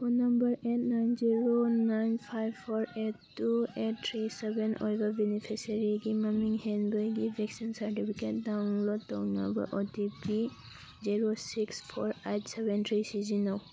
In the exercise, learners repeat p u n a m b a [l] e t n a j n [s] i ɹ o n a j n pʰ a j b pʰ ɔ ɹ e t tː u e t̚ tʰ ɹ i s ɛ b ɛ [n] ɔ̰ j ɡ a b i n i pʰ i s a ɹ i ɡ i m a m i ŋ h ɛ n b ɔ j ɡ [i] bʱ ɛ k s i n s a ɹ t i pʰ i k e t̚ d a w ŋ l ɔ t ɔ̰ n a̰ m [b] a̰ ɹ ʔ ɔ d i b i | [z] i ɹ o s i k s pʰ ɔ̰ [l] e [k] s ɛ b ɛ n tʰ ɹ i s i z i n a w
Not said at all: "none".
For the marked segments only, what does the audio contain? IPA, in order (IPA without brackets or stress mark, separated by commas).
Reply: ɹ, z, n, i, b, z, ɹ, t